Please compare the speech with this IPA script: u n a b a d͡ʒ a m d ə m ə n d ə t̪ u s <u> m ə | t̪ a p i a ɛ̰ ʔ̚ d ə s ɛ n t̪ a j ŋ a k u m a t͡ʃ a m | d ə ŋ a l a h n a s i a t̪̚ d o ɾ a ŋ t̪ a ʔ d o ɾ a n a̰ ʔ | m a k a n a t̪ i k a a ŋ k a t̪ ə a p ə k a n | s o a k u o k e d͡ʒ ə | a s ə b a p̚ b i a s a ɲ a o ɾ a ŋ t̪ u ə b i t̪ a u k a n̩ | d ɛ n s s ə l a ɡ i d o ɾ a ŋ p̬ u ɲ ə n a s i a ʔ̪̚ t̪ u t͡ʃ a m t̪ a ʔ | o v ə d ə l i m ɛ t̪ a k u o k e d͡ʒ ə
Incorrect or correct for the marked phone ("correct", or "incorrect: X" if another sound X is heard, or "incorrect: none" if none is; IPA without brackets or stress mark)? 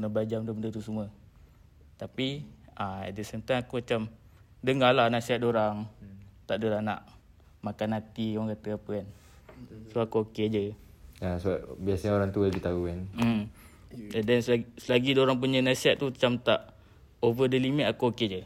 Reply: correct